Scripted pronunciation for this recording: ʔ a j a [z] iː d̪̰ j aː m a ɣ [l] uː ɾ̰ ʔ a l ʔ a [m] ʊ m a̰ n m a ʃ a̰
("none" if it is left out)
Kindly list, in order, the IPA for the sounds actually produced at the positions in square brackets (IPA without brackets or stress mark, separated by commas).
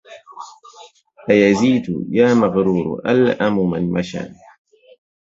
z, ɾ, m